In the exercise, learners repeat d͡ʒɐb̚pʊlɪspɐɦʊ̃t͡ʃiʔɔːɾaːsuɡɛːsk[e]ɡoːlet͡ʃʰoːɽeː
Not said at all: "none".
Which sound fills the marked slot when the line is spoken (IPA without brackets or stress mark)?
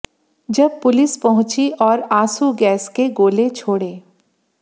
e